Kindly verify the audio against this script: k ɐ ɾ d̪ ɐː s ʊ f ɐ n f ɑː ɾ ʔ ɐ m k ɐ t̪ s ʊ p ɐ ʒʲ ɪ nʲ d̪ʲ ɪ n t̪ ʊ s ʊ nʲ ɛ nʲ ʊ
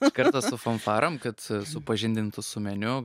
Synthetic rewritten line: k ɐ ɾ t̪ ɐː s ʊ f ɐ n f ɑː ɾ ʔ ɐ m k ɐ t̪ s ʊ p ɐ ʒʲ ɪ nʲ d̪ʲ ɪ n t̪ ʊ s ʊ mʲ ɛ nʲ ʊ